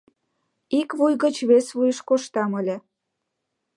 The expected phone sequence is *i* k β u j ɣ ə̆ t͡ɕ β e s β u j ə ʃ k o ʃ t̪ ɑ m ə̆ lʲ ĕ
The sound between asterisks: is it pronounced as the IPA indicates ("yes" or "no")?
yes